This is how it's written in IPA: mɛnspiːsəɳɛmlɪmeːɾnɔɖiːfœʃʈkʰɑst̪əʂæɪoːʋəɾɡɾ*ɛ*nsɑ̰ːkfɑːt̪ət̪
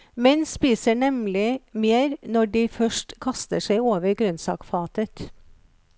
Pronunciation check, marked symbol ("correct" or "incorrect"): incorrect